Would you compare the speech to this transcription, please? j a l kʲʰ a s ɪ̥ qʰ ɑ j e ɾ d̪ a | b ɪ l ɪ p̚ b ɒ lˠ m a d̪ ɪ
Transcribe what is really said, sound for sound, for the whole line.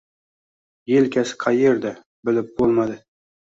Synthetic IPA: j e l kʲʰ a s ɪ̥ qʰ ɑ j e ɾ d̪ a | b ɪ l ɪ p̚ b o lˠ m a d̪ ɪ